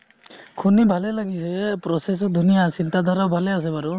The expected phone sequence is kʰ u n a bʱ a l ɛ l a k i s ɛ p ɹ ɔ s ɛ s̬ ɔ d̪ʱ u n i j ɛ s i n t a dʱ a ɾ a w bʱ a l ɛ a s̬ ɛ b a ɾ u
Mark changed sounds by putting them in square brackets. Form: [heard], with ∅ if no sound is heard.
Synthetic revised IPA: kʰ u n [i] bʱ a l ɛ l a [ɡ] i s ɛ p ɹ ɔ s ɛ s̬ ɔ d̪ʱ u n i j [a] s i n t a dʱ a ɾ a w bʱ a l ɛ a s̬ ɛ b a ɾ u